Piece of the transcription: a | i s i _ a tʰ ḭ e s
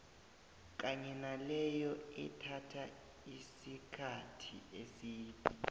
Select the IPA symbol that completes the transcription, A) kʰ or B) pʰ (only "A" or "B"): A